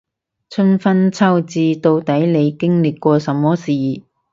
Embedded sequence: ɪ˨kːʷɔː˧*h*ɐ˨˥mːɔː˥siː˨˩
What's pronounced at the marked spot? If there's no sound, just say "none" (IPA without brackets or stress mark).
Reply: s